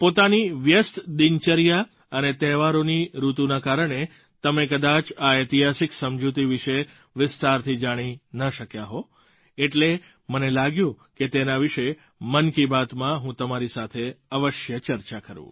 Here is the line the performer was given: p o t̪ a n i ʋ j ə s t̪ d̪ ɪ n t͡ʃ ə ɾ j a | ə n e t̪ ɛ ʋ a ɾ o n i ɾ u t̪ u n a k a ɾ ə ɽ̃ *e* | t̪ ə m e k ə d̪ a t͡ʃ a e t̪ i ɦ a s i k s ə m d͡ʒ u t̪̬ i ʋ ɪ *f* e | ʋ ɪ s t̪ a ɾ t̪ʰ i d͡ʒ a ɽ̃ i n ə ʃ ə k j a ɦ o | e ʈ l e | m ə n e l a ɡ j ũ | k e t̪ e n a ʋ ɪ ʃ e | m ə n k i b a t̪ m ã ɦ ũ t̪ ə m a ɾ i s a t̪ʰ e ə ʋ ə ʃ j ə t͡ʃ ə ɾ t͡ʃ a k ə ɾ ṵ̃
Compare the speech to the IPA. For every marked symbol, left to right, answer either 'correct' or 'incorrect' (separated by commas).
correct, incorrect